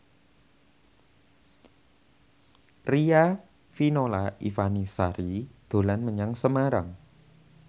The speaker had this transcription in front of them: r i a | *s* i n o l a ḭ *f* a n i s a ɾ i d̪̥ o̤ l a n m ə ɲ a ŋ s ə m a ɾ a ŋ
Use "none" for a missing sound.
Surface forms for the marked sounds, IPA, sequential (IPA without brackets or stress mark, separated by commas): f, f